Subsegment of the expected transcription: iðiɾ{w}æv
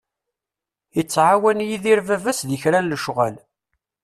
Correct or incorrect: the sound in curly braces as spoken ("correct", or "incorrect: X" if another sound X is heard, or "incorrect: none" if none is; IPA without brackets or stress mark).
incorrect: v